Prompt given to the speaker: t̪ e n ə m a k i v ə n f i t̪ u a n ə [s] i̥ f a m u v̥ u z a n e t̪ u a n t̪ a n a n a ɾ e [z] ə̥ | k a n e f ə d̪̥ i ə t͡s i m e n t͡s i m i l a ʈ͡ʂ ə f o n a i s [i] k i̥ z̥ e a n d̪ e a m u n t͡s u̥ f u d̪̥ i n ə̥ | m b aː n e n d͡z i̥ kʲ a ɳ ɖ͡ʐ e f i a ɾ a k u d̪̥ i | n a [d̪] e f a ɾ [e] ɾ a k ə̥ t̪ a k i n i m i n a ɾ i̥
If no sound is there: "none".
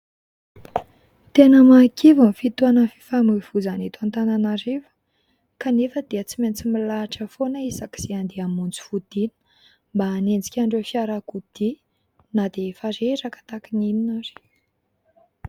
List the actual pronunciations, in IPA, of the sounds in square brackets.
f, v, a, d̪, e

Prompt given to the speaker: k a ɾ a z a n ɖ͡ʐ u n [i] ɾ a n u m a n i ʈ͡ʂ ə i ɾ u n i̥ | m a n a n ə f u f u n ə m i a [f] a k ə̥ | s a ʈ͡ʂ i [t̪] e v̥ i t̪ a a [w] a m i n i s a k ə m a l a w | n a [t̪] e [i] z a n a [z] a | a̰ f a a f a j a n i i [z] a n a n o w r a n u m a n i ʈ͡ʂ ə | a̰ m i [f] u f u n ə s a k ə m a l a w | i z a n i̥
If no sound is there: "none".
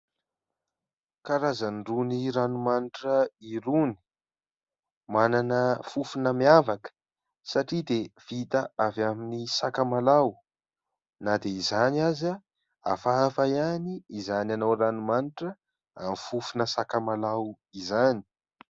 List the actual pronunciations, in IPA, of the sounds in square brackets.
i, v, d̪, v, d̪, i, z, z, f

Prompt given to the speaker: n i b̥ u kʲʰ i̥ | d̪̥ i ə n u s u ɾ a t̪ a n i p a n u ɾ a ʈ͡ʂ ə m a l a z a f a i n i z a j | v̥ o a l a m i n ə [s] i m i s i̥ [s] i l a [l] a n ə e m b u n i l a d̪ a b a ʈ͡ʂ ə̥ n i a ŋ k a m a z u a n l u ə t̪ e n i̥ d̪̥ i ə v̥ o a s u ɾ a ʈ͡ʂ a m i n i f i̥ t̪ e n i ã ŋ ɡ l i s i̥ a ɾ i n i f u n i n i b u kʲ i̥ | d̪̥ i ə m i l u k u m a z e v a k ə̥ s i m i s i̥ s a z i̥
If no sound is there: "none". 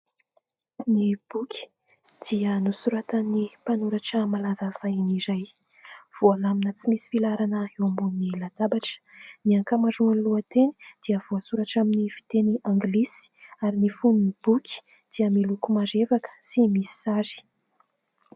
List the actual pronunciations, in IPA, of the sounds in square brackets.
t͡s, f, ɾ

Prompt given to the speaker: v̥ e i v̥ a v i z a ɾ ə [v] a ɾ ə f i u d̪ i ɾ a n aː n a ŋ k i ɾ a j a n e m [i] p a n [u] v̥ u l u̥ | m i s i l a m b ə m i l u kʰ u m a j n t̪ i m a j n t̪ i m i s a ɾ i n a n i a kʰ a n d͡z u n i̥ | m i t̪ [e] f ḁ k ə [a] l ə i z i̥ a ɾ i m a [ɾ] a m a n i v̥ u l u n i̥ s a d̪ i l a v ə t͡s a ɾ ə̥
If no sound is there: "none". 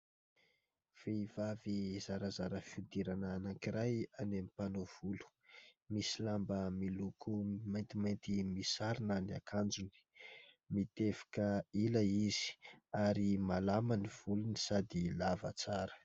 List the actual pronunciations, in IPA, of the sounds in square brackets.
z, i, o, e, i, l

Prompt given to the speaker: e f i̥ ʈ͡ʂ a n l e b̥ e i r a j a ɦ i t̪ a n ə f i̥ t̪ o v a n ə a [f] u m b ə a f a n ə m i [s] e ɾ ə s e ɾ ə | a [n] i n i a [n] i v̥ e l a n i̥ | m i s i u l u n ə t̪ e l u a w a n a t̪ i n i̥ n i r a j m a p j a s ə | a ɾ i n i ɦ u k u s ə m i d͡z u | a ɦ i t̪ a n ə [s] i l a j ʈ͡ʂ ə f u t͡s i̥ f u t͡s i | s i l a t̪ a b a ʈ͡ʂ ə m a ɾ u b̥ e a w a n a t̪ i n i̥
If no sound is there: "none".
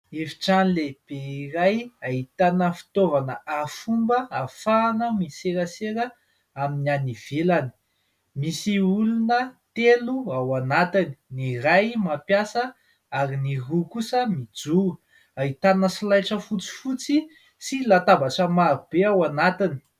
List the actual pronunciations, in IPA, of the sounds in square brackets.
f, s, m, n, s

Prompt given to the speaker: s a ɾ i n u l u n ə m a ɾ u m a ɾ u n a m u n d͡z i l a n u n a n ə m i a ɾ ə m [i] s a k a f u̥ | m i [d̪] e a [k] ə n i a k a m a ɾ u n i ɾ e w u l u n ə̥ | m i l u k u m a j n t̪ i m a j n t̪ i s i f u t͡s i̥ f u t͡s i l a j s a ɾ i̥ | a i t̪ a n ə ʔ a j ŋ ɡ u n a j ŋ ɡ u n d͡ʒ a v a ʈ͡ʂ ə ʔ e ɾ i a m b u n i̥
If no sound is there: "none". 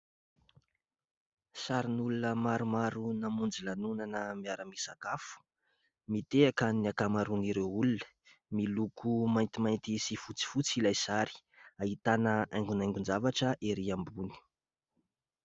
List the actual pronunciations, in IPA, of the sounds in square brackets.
i, t̪, k

